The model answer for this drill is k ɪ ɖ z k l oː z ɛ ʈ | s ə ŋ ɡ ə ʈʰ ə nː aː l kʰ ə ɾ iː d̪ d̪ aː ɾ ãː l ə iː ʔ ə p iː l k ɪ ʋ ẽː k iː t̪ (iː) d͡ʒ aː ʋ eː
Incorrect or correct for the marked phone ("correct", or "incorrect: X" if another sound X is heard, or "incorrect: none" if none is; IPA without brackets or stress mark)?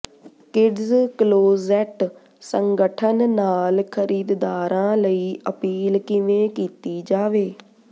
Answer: correct